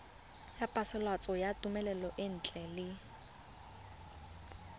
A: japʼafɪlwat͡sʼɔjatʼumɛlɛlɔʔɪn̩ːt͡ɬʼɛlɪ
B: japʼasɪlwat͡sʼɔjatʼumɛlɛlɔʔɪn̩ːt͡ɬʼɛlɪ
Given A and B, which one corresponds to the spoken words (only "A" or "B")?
B